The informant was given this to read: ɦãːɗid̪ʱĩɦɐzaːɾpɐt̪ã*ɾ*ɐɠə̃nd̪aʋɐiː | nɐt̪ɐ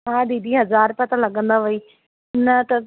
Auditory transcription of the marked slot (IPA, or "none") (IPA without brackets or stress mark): l